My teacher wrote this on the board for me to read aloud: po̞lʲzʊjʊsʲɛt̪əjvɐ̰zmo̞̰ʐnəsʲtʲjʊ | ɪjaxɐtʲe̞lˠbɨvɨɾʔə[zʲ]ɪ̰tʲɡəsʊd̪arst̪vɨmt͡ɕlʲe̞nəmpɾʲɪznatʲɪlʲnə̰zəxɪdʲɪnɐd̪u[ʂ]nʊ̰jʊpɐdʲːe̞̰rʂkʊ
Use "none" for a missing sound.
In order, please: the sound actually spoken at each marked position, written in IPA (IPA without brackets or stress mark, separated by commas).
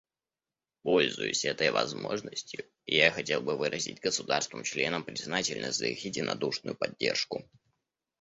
zʲ, ʂ